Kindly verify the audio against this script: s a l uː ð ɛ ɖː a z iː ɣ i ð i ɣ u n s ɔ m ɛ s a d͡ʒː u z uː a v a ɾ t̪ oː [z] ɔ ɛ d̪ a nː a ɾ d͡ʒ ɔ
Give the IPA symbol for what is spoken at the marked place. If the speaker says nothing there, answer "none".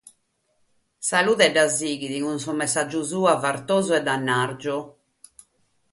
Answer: z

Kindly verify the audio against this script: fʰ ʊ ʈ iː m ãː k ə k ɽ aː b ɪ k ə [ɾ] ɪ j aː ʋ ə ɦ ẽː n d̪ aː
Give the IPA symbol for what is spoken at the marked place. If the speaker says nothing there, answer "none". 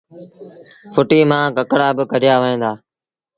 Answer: ɾ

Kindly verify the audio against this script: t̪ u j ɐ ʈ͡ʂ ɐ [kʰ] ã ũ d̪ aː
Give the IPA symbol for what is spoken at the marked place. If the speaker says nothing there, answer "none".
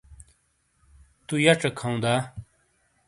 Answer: kʰ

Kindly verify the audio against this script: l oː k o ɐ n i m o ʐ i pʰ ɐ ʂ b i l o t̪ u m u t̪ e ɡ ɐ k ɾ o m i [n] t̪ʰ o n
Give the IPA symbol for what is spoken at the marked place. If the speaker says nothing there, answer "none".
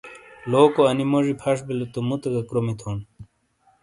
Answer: none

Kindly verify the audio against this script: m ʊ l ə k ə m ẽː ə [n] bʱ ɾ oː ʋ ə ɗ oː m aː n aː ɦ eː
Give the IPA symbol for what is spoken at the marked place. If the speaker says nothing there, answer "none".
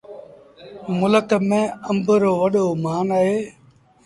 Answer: m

